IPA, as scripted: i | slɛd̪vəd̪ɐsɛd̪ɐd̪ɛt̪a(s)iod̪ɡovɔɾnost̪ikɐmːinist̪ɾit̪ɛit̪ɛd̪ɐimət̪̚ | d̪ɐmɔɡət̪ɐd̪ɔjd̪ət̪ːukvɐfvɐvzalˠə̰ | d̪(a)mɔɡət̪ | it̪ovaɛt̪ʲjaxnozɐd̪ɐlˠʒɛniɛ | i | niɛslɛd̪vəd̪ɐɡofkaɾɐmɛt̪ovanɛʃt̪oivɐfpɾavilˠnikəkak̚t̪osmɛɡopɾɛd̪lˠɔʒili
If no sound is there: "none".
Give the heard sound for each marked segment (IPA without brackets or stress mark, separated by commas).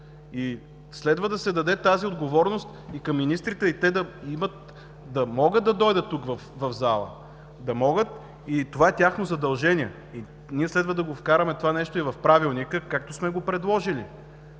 z, ɐ